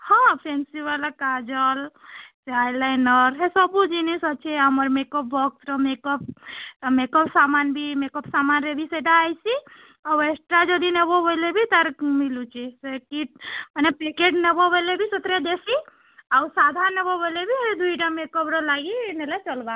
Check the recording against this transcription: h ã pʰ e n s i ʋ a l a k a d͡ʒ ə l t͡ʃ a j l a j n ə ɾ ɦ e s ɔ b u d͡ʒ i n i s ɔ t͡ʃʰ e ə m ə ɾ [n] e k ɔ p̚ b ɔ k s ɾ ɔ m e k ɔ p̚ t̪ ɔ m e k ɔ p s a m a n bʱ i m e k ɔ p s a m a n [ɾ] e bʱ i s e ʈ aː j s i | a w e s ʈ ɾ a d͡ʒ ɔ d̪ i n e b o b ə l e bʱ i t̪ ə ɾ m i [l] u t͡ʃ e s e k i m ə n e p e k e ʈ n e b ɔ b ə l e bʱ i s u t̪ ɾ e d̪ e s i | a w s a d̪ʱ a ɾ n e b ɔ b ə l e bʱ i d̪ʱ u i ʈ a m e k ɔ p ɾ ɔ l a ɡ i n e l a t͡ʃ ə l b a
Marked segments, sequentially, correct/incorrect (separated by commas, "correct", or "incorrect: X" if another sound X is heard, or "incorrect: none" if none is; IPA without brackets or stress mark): incorrect: m, correct, correct